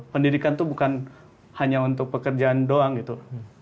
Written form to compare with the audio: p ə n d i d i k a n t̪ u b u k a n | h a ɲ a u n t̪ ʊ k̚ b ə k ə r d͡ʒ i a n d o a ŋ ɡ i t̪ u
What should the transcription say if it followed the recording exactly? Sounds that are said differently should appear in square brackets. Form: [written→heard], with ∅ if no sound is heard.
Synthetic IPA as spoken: p ə n d i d i k a n t̪ u b u k a n | h a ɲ a u n t̪ ʊ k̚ [b→p] ə k ə r d͡ʒ [i→a] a n d o a ŋ ɡ i t̪ u